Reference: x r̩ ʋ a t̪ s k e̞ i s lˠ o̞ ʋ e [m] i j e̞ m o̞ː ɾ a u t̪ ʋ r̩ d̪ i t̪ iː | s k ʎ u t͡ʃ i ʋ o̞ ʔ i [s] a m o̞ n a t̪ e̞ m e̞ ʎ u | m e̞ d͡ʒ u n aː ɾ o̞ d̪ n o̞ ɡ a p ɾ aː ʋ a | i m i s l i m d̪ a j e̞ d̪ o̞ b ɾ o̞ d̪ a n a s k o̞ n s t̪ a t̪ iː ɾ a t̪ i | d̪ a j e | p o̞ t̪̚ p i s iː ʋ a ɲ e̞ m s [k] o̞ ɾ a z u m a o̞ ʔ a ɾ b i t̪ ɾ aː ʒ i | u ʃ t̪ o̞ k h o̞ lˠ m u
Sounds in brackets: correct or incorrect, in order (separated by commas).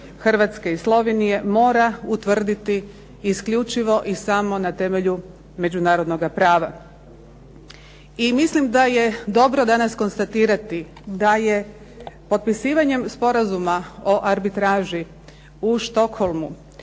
incorrect, correct, incorrect